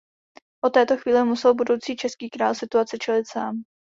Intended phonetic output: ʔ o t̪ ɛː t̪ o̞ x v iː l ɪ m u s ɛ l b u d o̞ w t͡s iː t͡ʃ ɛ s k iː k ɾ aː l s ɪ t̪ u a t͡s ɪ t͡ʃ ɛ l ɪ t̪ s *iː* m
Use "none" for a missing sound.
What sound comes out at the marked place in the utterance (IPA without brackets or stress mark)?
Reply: aː